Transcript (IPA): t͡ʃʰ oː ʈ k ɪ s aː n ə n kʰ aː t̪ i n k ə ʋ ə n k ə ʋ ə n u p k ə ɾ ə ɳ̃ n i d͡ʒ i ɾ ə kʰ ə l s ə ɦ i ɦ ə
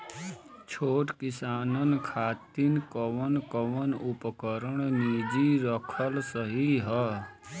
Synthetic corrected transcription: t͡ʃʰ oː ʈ k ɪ s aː n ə n kʰ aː t̪ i n k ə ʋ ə n k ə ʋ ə n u p k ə ɾ ə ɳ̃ n i d͡ʒ i ɾ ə kʰ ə l s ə ɦ i ɦ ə